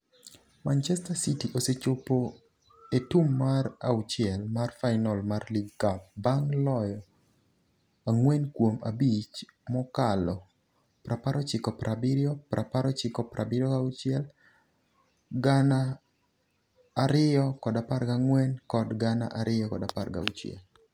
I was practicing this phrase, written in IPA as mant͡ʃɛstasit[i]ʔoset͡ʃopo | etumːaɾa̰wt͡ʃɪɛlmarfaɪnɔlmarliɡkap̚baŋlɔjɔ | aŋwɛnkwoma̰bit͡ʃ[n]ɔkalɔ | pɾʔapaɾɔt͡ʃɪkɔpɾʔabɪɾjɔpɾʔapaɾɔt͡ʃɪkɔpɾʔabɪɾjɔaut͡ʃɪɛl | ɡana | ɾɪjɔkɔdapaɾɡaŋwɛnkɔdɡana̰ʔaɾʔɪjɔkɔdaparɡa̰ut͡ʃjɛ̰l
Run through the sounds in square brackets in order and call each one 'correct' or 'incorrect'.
correct, incorrect: m

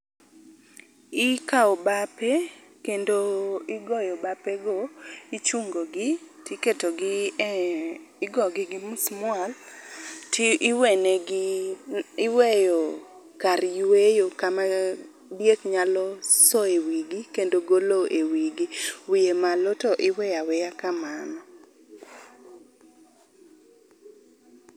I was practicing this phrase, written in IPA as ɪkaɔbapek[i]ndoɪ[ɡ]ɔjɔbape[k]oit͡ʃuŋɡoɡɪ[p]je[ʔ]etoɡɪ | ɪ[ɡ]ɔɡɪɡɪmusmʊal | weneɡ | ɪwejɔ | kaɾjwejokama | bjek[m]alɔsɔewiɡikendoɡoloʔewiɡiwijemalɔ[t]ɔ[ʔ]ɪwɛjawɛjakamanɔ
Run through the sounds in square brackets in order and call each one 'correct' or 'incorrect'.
incorrect: e, correct, incorrect: ɡ, incorrect: t, incorrect: k, correct, incorrect: ɲ, correct, correct

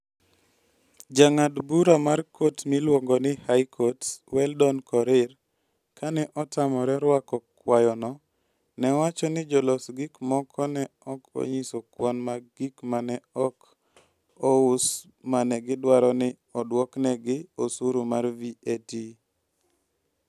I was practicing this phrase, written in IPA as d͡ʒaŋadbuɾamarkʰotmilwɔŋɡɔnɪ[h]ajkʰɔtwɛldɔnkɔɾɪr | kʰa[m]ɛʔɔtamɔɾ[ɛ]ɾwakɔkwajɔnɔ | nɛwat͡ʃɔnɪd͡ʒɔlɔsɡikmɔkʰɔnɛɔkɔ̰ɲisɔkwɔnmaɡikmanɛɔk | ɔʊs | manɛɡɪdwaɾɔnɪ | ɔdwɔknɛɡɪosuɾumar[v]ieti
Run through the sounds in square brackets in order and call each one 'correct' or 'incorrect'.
correct, incorrect: n, correct, correct

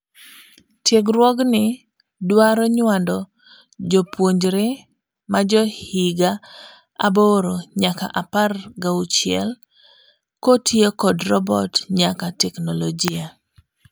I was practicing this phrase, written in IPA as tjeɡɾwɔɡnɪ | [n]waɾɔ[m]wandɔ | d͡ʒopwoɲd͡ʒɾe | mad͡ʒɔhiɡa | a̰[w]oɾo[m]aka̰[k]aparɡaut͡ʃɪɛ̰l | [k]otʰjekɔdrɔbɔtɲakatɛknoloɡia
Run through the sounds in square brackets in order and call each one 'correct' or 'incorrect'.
incorrect: d, incorrect: ɲ, incorrect: b, incorrect: ɲ, incorrect: ʔ, correct

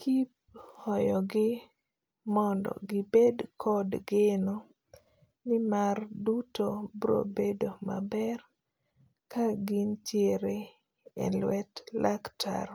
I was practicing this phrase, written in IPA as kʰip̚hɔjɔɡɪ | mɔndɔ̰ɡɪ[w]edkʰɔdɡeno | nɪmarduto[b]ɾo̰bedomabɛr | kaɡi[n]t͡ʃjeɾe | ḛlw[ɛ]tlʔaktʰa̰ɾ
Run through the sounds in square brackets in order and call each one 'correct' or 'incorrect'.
incorrect: b, correct, correct, correct

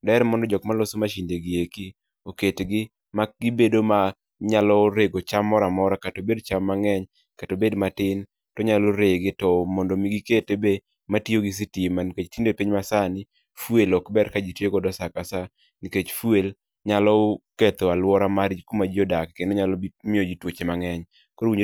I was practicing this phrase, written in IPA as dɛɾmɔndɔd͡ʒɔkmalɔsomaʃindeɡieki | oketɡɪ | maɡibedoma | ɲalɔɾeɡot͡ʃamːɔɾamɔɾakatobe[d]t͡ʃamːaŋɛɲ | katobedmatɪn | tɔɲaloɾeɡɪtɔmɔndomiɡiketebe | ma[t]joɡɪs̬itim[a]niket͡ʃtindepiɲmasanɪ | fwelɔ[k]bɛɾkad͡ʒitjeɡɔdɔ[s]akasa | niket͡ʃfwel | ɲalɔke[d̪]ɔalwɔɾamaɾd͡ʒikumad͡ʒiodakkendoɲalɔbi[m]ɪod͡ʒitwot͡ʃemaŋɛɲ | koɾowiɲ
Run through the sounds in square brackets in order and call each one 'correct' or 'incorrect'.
correct, correct, correct, correct, correct, incorrect: t̪, correct

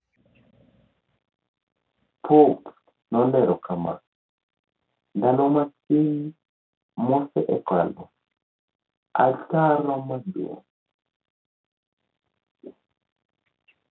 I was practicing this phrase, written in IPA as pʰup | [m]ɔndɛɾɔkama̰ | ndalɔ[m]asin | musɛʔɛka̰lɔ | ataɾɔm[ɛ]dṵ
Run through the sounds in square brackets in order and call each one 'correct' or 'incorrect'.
incorrect: n, correct, incorrect: a

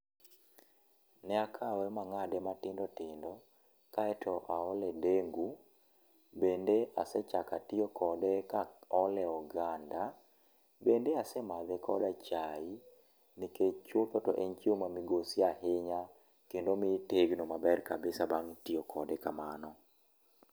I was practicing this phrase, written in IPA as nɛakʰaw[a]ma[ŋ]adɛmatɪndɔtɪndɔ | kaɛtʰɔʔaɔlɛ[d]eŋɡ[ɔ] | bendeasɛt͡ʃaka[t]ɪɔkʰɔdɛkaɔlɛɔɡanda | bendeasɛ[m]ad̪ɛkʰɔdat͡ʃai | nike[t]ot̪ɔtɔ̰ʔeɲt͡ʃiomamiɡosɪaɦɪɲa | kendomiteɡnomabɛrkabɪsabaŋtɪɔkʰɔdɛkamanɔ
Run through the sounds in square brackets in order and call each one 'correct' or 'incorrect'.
incorrect: ɛ, correct, correct, incorrect: u, correct, correct, incorrect: t͡ʃ

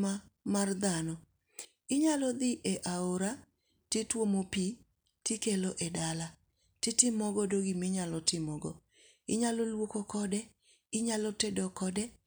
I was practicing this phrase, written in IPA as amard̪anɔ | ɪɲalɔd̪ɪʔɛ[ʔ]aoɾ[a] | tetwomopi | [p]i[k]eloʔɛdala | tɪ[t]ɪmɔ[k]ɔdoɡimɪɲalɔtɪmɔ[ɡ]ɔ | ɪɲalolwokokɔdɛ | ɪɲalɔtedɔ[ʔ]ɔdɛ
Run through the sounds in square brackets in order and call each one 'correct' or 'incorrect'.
correct, correct, incorrect: t, correct, correct, incorrect: ɡ, correct, incorrect: k

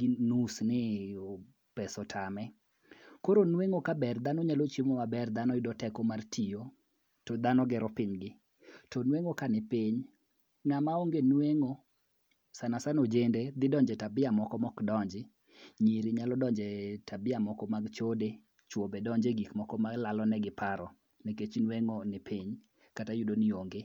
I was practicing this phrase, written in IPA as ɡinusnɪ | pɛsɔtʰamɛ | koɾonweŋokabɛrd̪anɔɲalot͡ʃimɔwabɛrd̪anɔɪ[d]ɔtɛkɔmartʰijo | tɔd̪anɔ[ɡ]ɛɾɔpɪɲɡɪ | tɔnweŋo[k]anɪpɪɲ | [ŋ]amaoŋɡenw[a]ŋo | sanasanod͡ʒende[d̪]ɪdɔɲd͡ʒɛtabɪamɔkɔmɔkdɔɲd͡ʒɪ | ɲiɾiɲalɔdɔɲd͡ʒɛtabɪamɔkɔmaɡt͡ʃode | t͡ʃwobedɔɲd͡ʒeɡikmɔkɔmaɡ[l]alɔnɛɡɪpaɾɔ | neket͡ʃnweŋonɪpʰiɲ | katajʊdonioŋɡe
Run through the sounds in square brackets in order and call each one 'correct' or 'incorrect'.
correct, correct, correct, correct, incorrect: e, correct, correct

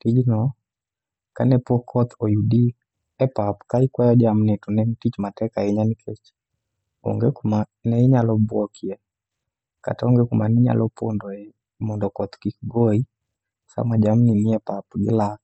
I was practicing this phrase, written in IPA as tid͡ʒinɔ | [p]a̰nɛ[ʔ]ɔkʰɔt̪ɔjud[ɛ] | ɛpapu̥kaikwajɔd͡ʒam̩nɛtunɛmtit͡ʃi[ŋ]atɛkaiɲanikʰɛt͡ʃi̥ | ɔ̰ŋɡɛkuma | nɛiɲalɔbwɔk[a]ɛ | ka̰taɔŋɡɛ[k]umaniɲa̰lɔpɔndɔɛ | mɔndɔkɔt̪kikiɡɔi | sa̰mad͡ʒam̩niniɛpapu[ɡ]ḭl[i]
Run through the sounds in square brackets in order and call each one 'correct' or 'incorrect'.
incorrect: k, incorrect: p, incorrect: i, incorrect: m, incorrect: i, correct, correct, incorrect: a

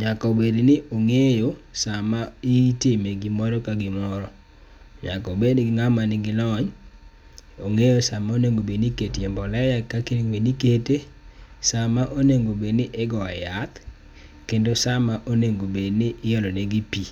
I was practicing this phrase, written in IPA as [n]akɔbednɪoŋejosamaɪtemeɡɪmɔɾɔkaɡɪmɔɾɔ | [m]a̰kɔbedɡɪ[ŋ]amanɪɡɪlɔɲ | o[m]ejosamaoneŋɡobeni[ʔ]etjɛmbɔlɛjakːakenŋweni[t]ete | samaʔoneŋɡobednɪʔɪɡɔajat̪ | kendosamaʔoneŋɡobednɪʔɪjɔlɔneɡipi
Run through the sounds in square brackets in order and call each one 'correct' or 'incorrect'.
incorrect: ɲ, incorrect: ɲ, correct, incorrect: ŋ, incorrect: k, incorrect: k

